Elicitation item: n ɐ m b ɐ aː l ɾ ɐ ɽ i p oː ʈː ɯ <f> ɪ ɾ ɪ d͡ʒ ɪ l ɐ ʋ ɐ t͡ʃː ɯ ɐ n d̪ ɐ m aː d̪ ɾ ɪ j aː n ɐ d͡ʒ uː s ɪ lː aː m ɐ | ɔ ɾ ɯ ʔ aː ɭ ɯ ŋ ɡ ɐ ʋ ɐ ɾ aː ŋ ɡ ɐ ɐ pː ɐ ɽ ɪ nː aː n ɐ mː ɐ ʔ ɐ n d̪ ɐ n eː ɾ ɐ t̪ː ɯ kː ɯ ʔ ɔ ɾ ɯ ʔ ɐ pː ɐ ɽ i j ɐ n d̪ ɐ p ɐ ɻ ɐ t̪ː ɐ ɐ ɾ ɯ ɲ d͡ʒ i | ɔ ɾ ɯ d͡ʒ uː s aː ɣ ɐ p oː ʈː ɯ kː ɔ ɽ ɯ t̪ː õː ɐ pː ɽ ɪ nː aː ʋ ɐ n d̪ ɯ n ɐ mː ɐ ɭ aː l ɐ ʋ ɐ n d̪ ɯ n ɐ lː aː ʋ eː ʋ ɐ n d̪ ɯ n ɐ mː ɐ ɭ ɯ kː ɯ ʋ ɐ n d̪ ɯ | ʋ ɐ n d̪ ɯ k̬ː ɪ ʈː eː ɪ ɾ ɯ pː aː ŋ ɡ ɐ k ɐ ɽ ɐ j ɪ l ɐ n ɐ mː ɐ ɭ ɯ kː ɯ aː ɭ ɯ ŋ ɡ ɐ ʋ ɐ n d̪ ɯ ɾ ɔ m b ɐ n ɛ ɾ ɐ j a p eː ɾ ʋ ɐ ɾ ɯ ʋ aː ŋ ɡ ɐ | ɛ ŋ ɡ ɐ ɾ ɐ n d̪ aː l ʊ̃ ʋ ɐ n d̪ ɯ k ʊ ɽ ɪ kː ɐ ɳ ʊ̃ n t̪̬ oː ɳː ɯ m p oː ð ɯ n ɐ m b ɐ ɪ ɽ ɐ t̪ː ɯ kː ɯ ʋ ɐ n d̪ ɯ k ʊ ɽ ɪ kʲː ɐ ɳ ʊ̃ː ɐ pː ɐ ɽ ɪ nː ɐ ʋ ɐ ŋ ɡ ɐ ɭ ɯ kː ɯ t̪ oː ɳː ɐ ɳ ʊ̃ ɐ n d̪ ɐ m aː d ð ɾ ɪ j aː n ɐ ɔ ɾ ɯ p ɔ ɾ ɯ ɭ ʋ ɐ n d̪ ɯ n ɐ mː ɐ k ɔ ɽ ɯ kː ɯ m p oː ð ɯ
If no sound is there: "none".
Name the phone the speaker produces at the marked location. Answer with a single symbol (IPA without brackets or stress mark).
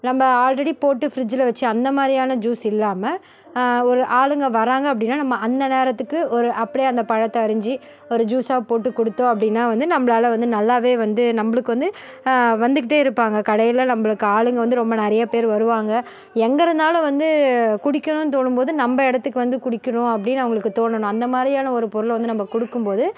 f